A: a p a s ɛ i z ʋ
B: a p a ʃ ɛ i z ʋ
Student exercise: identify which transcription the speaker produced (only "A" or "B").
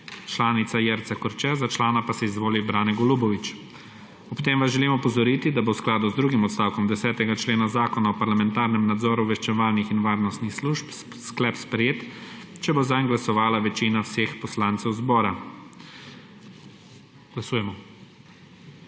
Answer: A